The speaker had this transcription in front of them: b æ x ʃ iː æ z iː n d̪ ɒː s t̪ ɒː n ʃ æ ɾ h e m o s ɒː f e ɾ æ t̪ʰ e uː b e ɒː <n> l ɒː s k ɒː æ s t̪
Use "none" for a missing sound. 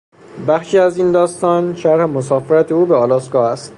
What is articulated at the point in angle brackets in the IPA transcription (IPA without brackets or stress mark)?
none